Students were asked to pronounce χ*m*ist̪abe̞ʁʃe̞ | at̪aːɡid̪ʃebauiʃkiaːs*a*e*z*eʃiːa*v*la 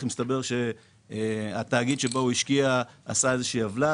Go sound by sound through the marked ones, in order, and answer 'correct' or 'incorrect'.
correct, correct, correct, correct

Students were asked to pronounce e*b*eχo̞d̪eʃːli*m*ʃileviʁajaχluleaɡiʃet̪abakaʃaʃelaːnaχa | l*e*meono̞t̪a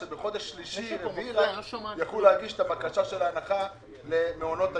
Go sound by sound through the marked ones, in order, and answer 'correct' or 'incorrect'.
correct, incorrect, correct

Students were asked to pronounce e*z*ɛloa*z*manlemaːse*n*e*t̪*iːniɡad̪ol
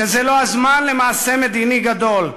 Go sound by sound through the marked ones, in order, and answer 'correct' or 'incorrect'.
correct, correct, incorrect, incorrect

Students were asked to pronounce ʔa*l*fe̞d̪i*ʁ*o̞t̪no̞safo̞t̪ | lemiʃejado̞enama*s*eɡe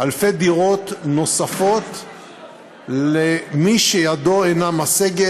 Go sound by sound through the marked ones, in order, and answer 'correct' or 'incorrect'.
correct, correct, correct

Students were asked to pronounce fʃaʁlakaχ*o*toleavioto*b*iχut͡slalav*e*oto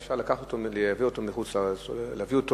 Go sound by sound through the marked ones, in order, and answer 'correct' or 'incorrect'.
correct, incorrect, incorrect

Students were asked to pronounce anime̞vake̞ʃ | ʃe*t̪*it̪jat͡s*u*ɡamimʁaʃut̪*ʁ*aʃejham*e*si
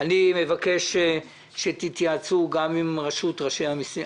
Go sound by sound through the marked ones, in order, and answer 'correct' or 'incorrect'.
correct, correct, correct, incorrect

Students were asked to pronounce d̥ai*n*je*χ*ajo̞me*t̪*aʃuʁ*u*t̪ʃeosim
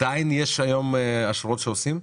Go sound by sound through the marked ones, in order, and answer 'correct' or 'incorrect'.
correct, incorrect, incorrect, incorrect

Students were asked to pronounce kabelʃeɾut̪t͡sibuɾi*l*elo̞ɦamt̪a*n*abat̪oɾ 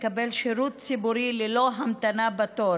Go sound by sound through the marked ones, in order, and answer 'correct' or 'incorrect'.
correct, correct

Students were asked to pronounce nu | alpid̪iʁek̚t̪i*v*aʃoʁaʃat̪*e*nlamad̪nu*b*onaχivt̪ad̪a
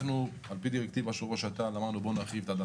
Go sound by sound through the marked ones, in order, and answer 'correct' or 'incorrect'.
correct, incorrect, correct

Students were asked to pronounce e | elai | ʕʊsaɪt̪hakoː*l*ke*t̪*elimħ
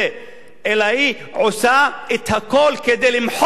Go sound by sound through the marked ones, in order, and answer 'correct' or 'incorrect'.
correct, incorrect

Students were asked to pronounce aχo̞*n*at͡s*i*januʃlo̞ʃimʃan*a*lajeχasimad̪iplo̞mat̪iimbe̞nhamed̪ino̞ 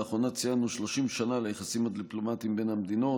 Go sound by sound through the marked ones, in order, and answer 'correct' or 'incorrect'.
correct, correct, correct

